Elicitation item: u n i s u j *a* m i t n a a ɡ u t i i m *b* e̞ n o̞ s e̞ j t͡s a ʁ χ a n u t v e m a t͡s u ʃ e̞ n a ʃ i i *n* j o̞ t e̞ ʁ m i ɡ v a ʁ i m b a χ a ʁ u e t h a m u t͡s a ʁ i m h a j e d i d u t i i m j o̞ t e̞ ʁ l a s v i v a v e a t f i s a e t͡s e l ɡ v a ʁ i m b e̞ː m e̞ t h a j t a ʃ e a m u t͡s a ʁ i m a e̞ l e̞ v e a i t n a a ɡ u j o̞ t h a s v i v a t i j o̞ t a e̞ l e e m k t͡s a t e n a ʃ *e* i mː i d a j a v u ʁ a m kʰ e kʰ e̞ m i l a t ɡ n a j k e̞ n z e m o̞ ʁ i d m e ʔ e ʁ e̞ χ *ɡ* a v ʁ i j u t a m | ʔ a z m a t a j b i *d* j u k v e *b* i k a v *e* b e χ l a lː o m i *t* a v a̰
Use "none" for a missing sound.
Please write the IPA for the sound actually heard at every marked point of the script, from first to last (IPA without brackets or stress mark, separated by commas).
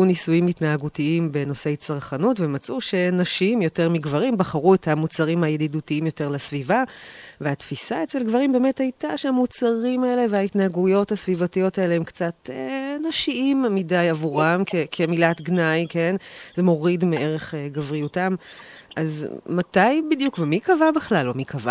i, b, m, i, ɡ, d, m, a, k